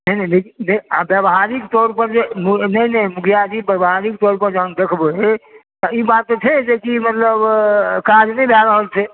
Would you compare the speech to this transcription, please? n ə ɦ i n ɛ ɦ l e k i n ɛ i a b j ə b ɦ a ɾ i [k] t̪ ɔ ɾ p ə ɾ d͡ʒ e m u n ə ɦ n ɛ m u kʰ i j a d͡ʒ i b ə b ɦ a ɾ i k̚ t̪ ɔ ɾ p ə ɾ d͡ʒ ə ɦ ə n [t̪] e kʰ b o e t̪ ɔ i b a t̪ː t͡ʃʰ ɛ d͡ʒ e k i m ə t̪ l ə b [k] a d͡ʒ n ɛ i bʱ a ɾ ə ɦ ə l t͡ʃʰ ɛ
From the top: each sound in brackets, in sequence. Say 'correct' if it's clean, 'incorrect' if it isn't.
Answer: correct, incorrect, correct

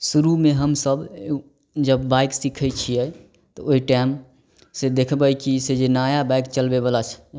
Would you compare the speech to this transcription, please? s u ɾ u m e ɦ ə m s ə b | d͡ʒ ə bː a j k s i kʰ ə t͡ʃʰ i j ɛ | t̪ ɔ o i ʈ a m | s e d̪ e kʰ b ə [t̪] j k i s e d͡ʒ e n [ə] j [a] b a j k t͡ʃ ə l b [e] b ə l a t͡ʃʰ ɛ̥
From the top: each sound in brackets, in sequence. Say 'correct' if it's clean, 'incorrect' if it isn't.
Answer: incorrect, incorrect, correct, correct

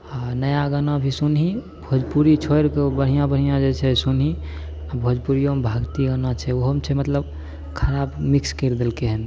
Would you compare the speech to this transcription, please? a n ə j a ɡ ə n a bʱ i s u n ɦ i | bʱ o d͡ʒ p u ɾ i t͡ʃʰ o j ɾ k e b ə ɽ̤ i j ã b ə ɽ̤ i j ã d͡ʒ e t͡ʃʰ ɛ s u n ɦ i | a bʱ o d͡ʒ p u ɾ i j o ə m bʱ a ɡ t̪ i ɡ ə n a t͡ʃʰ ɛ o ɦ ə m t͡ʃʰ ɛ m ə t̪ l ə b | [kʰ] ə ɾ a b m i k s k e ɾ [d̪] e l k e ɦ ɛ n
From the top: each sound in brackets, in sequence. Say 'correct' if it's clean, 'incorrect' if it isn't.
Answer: correct, correct

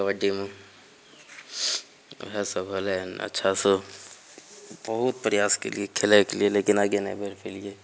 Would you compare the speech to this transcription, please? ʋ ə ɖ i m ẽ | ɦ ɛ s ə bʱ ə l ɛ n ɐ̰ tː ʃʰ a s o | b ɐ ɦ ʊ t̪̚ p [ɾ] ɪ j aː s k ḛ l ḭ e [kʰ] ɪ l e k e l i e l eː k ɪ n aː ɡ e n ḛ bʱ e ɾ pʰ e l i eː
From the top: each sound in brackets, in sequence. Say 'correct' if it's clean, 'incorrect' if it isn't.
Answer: correct, correct

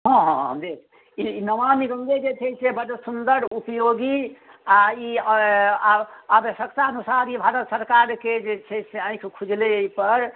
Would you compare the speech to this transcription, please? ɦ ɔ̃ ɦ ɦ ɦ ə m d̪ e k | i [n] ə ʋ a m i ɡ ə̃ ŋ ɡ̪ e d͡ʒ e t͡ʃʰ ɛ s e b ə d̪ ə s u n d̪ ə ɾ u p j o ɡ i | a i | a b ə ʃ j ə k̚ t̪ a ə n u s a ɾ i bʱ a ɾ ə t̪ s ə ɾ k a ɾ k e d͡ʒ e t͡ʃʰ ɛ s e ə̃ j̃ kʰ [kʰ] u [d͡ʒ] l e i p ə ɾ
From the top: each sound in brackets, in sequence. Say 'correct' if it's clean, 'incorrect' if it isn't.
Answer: correct, correct, correct

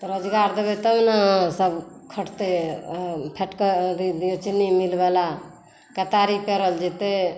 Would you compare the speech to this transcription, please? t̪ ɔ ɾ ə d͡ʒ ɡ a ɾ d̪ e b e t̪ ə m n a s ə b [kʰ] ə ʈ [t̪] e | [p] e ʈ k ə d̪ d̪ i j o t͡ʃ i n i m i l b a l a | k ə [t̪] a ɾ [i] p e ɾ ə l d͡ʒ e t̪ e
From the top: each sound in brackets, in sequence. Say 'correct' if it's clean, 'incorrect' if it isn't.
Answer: correct, correct, incorrect, correct, correct

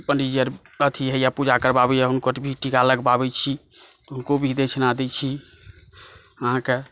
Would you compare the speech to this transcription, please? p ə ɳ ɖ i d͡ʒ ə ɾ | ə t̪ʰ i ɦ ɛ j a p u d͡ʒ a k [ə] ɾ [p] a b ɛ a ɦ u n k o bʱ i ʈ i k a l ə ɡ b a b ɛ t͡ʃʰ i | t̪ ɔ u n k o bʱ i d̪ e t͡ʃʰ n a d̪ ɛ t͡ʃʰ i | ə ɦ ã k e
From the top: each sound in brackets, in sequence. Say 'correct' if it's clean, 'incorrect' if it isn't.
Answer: correct, incorrect

